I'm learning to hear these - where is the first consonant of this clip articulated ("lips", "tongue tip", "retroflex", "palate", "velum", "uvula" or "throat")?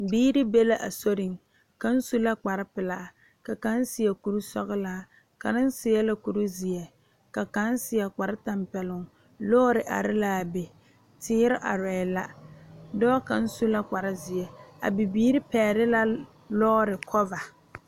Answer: lips